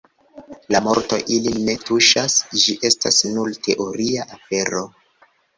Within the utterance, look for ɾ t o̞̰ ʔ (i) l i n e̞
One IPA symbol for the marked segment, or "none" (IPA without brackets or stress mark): i